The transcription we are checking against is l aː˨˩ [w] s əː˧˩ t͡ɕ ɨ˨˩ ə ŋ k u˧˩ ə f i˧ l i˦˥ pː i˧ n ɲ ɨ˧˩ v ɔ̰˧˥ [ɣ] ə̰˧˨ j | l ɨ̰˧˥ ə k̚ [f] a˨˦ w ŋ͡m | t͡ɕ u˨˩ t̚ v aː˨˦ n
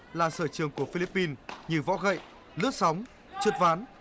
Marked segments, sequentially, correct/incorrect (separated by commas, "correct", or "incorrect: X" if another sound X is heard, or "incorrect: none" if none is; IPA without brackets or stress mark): incorrect: none, correct, incorrect: s